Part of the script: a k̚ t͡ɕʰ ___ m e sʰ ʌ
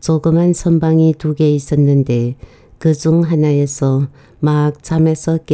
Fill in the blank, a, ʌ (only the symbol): a